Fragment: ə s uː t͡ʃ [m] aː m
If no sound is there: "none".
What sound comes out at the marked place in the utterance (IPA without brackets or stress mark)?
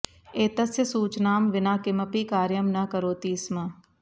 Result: n